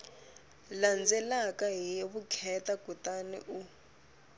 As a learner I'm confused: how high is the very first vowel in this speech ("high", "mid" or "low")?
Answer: low